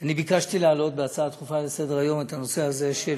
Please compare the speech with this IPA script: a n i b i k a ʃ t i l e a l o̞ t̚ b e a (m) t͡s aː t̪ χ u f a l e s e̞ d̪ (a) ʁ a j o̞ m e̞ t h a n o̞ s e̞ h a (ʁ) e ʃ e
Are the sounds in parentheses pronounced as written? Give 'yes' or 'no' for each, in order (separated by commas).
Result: no, no, no